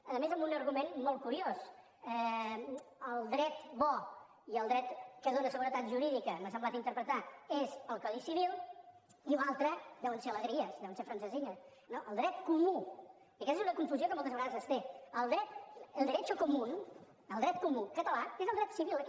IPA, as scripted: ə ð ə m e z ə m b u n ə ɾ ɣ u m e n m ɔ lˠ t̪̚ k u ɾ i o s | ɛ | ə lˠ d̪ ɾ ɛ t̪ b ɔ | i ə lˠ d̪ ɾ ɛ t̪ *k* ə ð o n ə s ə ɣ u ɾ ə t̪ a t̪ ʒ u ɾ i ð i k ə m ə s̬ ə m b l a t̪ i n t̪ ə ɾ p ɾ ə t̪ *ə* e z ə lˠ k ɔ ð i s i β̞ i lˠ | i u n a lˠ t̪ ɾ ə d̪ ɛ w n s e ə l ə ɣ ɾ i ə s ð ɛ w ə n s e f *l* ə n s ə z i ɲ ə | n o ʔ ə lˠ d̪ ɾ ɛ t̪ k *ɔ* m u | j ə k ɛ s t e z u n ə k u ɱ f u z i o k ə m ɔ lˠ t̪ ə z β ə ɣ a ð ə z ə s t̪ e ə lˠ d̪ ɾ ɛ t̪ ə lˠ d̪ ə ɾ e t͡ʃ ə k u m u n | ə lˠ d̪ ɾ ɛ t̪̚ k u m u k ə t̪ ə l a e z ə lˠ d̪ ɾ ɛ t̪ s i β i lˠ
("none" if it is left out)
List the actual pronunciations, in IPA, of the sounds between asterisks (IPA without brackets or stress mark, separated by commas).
k, a, ɾ, u